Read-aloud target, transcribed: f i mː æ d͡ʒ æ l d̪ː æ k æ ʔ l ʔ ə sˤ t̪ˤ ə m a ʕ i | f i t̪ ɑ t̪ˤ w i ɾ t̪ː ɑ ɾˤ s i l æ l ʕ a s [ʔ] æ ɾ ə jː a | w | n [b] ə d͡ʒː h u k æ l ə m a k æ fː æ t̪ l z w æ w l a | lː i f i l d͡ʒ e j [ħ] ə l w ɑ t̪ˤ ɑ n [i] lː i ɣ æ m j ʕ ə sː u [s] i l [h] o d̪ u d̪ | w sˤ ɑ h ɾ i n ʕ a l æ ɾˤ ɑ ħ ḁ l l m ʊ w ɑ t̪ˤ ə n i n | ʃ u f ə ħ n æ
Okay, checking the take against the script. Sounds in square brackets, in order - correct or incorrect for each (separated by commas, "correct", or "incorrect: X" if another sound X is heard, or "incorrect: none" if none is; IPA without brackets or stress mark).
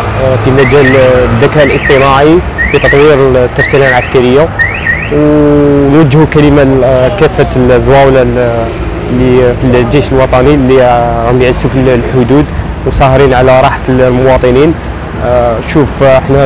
incorrect: k, incorrect: w, incorrect: ʃ, correct, incorrect: f, incorrect: ħ